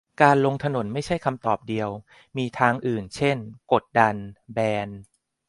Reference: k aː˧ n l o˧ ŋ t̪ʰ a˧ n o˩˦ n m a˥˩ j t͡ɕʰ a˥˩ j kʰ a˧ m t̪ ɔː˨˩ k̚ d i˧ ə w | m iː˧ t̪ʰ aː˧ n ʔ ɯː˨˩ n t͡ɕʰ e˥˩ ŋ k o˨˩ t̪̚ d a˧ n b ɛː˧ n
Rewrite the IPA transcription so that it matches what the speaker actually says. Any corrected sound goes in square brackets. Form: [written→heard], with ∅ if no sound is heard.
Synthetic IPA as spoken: k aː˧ n l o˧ ŋ t̪ʰ a˧ n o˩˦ n m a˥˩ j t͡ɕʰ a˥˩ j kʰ a˧ m t̪ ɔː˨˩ [k̚→p̚] d i˧ ə w | m iː˧ t̪ʰ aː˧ [n→ŋ] ʔ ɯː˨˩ n t͡ɕʰ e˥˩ [ŋ→n] k o˨˩ t̪̚ d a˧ n b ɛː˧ n